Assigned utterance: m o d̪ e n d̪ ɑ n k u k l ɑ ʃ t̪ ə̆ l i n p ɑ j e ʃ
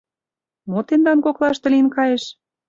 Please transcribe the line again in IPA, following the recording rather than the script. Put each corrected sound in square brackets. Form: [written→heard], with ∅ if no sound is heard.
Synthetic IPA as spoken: m o [d̪→t̪] e n d̪ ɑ n k [u→o] k l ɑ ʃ t̪ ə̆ l i n [p→k] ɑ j e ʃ